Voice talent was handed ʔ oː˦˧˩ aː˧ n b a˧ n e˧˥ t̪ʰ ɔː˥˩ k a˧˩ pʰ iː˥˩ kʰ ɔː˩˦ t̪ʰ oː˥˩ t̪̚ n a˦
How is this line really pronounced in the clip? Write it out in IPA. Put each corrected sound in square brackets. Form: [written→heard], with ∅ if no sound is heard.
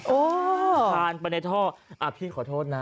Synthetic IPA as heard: ʔ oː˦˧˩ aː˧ n [b→p] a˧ n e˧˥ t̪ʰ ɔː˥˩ [k→ʔ] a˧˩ pʰ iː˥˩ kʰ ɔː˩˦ t̪ʰ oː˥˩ t̪̚ n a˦